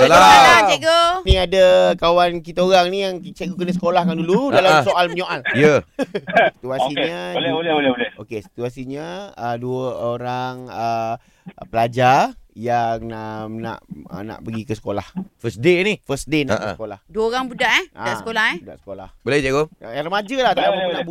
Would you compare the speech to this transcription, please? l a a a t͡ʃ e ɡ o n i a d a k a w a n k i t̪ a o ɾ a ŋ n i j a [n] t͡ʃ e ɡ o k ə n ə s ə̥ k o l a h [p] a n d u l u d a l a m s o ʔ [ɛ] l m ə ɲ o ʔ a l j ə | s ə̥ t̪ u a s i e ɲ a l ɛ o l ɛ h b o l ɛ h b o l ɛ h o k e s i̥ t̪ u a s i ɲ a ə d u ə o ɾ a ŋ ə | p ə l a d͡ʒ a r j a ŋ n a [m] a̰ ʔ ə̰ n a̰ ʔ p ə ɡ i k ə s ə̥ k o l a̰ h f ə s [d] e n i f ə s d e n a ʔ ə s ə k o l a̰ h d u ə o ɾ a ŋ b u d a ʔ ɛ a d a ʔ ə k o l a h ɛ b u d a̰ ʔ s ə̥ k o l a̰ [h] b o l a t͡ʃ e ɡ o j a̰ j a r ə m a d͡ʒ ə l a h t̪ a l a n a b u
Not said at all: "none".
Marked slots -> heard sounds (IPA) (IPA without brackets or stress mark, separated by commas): ŋ, k, a, n, d, h